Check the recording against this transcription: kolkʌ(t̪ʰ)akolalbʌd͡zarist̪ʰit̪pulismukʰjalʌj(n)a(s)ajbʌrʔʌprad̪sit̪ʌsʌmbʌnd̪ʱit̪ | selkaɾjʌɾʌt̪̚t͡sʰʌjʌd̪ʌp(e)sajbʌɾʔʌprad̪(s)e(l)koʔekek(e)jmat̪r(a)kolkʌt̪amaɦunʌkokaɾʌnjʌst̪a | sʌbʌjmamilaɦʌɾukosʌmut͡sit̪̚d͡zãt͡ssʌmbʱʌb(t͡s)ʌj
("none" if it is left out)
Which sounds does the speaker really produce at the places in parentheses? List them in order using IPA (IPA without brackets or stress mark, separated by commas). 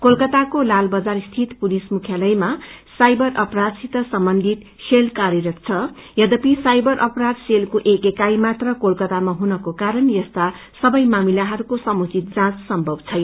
t̪, m, s, i, s, l, a, ʌ, t͡sʰ